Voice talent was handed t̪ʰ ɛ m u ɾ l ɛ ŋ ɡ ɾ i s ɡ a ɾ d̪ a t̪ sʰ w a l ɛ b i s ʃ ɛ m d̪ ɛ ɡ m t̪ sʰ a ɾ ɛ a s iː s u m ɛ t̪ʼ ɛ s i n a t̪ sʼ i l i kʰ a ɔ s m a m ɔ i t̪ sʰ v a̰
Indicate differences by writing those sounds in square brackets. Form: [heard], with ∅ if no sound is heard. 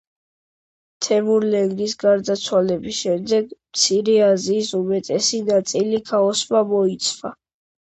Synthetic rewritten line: t̪ʰ ɛ m u ɾ l ɛ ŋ ɡ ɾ i s ɡ a ɾ d̪ a t̪ sʰ w a l ɛ b i s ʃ ɛ m d̪ ɛ ɡ m t̪ sʰ [i] ɾ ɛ a [z] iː s u m ɛ t̪ʼ ɛ s i n a t̪ sʼ i l i kʰ a ɔ s m a m ɔ i t̪ sʰ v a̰